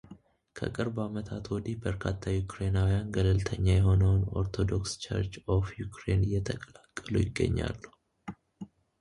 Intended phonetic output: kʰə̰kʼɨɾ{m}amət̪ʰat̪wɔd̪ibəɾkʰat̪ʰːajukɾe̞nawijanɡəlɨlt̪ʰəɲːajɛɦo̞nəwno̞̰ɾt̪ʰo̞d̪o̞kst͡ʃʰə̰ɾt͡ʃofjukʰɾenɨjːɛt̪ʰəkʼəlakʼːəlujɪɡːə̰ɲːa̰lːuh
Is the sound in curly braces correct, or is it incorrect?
incorrect